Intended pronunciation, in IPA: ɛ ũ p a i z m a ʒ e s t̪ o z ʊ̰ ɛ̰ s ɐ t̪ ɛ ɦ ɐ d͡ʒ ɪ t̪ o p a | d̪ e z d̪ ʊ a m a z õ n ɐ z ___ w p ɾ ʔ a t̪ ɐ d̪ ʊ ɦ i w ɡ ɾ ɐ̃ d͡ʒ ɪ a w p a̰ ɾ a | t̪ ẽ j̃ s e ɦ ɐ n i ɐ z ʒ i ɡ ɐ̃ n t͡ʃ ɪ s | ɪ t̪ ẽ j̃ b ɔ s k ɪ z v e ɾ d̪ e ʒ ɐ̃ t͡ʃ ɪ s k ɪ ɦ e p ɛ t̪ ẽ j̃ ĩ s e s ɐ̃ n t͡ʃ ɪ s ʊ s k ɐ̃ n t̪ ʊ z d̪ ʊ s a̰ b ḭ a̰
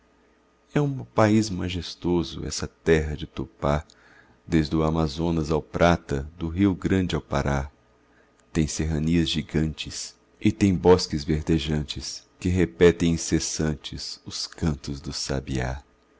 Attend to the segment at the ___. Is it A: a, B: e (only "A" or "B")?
A